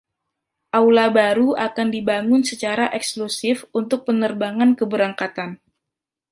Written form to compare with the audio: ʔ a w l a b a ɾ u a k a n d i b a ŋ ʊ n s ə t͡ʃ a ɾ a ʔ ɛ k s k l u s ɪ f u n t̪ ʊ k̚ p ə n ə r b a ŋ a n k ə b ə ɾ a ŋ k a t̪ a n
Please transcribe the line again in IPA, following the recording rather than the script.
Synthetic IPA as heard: ʔ a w l a b a ɾ u a k a n d i b a ŋ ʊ n s ə t͡ʃ a ɾ a ʔ ɛ k s k l u s ɪ f u n t̪ ʊ k̚ p ə n ə r b a ŋ a n k ə b ə ɾ a ŋ k a t̪ a n